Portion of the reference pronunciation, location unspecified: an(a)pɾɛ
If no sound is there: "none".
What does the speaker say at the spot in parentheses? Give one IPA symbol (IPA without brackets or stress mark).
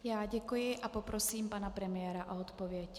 a